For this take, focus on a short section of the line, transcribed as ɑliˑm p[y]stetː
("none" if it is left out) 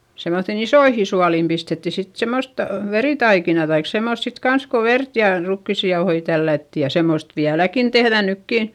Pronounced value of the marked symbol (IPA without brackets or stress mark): i